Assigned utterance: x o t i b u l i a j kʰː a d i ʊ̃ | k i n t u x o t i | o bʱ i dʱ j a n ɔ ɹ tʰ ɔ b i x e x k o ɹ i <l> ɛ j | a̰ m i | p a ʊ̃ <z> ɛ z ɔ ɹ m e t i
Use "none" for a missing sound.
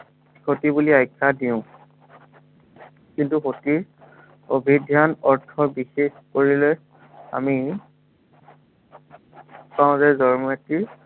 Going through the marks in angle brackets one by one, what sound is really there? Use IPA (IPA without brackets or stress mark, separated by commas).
l, z